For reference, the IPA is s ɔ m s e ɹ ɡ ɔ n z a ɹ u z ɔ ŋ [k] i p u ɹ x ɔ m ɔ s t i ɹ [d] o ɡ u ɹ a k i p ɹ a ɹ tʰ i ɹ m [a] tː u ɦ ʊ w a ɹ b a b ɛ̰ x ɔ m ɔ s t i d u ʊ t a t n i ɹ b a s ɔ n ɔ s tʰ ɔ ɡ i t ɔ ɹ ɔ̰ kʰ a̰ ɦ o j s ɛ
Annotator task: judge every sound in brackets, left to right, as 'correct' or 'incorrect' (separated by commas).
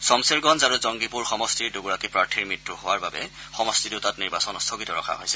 incorrect, correct, incorrect